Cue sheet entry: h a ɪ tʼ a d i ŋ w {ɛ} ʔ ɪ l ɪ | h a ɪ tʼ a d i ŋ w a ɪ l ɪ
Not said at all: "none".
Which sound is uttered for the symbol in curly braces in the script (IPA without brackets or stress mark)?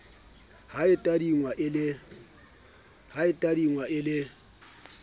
a